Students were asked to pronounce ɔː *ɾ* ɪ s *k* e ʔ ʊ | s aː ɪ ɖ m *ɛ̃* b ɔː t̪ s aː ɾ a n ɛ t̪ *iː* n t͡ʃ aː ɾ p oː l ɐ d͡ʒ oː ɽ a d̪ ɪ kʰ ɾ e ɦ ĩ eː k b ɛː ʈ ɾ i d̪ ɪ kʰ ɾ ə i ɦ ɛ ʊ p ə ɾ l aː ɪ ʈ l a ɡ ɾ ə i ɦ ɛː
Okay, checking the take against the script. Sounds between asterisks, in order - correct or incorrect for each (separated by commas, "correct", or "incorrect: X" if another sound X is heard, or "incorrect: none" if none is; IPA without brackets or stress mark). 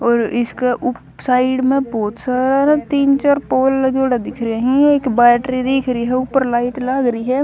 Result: correct, correct, incorrect: ẽ, correct